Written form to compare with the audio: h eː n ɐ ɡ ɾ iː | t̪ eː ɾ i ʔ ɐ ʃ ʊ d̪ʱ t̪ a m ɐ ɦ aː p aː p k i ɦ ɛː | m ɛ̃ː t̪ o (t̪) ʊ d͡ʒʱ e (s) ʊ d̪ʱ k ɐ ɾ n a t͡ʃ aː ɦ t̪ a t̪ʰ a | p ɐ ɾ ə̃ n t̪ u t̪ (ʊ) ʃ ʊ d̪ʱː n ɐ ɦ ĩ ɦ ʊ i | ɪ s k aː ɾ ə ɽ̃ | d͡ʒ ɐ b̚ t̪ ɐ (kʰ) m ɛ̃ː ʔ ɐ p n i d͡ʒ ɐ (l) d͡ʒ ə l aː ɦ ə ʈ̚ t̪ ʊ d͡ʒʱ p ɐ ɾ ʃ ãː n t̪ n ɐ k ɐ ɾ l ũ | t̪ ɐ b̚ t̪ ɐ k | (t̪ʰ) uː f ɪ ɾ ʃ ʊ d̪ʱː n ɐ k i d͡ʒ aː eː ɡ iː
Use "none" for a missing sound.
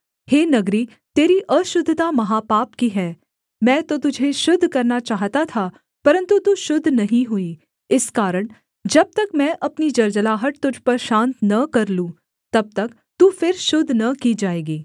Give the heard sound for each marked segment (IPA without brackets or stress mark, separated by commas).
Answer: t̪, ʃ, u, k, ɾ, t̪